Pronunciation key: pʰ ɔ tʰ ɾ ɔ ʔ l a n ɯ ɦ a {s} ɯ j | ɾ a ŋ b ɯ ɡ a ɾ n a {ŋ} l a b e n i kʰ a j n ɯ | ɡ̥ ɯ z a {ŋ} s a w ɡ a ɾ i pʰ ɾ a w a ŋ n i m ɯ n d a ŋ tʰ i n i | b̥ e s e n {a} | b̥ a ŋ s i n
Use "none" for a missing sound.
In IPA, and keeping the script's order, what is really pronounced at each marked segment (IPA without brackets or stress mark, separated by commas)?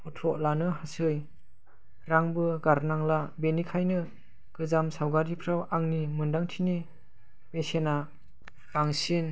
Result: s, ŋ, m, a